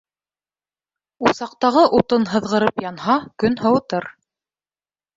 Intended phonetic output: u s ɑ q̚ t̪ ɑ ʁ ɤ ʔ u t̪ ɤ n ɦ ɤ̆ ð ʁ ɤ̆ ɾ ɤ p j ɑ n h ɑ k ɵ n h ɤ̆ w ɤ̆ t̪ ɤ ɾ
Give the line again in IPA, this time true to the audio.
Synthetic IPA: u s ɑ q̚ t̪ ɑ ʁ ɤ ʔ u t̪ ɤ n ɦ ɤ̆ ð ʁ ɤ̆ ɾ ɤ p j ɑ n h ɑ k ɵ n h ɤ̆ w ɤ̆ t̪ ɤ ɾ

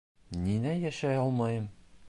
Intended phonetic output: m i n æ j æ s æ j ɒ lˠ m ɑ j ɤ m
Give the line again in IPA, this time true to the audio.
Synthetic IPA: n i n æ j æ ʃ æ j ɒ lˠ m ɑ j ɤ m

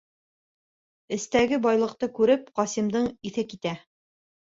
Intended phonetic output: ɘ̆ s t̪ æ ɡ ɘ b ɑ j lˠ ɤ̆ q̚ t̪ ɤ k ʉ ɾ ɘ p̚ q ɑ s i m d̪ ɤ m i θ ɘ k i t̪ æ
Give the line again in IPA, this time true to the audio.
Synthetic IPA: ɘ̆ s t̪ æ ɡ ɘ b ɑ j lˠ ɤ̆ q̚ t̪ ɤ k ʉ ɾ ɘ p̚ q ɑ s i m d̪ ɤ ɴ i θ ɘ k i t̪ æ

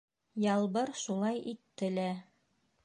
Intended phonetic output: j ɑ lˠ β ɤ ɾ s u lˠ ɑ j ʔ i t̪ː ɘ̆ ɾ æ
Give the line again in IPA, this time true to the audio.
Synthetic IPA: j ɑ lˠ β ɤ ɾ ʃ u lˠ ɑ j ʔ i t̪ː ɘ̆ l æ

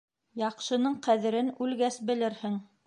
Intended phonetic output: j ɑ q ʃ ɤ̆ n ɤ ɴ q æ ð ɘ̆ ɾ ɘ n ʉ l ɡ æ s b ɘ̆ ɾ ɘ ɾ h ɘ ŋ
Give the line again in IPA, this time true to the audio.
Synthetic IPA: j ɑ q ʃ ɤ̆ n ɤ ɴ q æ ð ɘ̆ ɾ ɘ n ʉ l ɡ æ s b ɘ̆ l ɘ ɾ h ɘ ŋ

